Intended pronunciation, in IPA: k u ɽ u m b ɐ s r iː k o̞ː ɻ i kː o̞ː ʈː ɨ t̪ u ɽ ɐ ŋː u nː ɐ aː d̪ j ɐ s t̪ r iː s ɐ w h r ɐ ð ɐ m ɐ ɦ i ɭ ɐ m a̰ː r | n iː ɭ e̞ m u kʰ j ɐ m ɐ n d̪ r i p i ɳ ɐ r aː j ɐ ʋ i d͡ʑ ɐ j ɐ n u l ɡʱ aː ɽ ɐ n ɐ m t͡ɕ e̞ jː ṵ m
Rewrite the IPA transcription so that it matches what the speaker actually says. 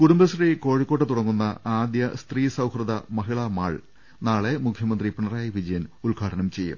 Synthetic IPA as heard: k u ɽ u m b ɐ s r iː k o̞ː ɻ i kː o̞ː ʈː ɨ t̪ u ɽ ɐ ŋː u nː ɐ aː d̪ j ɐ s t̪ r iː s ɐ w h r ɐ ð ɐ m ɐ ɦ i ɭ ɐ m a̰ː ɭ | n aː ɭ e̞ m u kʰ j ɐ m ɐ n d̪ r i p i ɳ ɐ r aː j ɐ ʋ i d͡ʑ ɐ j ɐ n u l ɡʱ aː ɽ ɐ n ɐ m t͡ɕ e̞ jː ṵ m